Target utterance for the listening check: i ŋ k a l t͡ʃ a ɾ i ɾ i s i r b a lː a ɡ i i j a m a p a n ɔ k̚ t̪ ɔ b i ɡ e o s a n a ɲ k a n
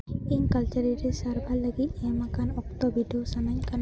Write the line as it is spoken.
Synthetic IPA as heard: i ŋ k a l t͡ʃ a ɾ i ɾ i s a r b a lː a ɡ i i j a m a k a n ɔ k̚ t̪ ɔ b i d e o s a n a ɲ k a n